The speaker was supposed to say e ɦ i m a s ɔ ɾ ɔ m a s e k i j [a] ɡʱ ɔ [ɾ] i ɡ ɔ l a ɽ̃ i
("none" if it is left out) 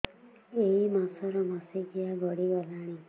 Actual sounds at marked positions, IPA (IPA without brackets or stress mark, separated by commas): a, ɽ